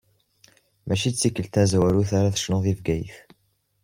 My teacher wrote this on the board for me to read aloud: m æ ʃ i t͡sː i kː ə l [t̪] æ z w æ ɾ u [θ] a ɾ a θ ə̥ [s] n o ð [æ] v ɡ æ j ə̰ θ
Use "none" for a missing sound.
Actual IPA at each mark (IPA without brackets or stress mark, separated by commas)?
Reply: t̪, θ, ʃ, i